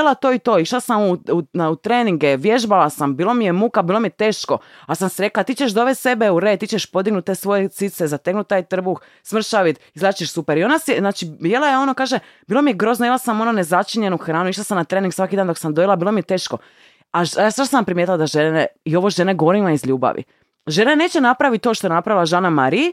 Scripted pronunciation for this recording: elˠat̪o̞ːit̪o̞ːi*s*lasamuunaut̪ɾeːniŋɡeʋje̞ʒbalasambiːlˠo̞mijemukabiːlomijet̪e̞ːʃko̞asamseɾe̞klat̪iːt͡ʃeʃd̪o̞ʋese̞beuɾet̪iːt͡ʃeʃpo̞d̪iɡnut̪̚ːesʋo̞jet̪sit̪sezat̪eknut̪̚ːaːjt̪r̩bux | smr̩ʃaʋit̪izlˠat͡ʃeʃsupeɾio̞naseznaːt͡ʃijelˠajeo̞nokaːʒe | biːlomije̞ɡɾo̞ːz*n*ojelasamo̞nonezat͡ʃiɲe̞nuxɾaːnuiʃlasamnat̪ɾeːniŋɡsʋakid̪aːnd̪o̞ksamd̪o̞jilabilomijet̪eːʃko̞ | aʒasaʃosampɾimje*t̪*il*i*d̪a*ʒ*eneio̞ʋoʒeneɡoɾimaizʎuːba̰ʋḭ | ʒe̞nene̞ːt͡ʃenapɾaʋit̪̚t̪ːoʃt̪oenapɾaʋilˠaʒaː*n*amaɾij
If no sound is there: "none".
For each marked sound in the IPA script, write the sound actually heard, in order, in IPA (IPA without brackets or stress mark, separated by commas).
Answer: ʃ, n, t̪, a, ʒ, n